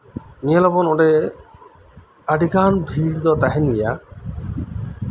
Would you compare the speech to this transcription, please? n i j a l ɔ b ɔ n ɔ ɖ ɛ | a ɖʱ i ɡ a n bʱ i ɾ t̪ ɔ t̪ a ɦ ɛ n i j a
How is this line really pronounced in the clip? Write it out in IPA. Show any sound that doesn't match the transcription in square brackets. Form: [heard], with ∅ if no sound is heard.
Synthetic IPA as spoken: n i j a l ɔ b ɔ n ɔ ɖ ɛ | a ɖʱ i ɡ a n bʱ i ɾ [d̪] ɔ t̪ a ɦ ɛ n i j a

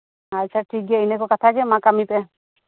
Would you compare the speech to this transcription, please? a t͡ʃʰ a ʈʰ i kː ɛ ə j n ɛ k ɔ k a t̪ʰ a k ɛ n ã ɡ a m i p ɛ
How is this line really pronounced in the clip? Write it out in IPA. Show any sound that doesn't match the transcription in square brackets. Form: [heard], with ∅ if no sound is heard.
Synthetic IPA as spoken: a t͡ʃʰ a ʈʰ i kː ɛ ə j n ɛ k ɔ k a t̪ʰ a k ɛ [m] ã [k] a m i p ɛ

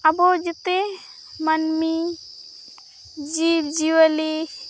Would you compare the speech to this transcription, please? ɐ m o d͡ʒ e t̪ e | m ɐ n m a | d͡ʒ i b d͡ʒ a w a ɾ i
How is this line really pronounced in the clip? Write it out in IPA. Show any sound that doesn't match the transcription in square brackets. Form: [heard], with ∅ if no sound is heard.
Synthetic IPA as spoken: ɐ [b] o d͡ʒ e t̪ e | m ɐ n m [i] | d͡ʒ i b d͡ʒ [i] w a [l] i

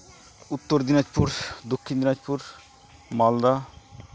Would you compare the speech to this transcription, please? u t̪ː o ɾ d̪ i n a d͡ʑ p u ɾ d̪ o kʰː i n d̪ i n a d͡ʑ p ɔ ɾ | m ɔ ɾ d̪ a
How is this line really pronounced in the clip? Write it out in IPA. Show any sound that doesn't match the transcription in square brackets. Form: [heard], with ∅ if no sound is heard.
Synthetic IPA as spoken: u t̪ː o ɾ d̪ i n a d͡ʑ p u ɾ d̪ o kʰː i n d̪ i n a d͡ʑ p [u] ɾ | m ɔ [l] d̪ a

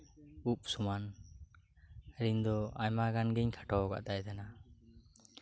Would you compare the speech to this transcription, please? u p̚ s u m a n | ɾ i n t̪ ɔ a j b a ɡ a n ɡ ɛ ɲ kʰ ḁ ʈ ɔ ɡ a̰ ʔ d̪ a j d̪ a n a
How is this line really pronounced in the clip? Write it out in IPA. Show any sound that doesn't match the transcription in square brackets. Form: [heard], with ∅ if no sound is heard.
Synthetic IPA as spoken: u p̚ s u m a n | ɾ i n [d̪] ɔ a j [m] a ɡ a n ɡ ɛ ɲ kʰ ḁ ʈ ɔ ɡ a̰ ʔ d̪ a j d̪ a n a

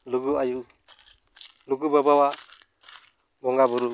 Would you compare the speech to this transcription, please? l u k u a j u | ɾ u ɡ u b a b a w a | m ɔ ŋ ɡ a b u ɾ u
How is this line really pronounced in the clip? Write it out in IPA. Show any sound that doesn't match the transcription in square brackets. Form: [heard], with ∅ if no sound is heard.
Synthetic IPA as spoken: l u [ɡ] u a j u | [l] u ɡ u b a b a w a | [b] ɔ ŋ ɡ a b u ɾ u

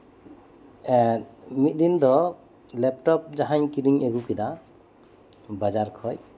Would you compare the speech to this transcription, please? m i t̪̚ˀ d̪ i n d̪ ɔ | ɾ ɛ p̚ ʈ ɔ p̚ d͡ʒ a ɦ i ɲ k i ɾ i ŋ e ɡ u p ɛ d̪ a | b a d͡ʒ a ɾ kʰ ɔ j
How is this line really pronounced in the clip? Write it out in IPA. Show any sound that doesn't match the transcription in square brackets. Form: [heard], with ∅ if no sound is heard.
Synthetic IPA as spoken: m i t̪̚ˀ d̪ i n d̪ ɔ | [l] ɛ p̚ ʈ ɔ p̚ d͡ʒ a ɦ [a] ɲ k i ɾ i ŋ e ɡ u [k] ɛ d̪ a | b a d͡ʒ a ɾ kʰ ɔ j

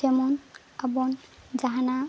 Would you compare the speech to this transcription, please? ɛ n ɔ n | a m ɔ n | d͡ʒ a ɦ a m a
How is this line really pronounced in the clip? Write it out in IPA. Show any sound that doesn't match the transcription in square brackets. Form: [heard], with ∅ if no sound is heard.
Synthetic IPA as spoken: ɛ [m] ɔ n | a [b] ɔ n | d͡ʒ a ɦ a [n] a

